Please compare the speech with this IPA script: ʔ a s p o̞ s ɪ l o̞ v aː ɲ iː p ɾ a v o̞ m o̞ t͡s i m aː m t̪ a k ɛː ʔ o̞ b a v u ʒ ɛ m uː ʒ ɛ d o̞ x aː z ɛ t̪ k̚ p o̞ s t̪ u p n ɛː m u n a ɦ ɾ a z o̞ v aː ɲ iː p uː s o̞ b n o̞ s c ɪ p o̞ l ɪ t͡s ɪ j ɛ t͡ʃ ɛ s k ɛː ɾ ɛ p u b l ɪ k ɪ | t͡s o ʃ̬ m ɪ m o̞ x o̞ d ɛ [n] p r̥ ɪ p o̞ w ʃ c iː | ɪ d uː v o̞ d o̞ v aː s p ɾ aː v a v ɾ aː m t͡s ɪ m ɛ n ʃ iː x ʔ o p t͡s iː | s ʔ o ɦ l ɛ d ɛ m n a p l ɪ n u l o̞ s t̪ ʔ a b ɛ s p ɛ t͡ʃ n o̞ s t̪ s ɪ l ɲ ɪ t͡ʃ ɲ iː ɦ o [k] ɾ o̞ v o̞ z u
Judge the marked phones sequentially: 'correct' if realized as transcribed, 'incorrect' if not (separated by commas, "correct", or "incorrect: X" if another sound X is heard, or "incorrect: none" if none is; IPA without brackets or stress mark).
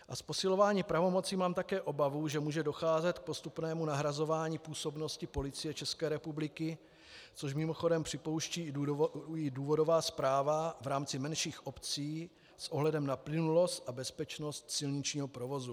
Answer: incorrect: m, incorrect: p